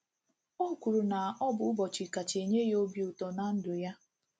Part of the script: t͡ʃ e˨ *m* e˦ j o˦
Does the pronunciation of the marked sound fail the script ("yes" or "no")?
yes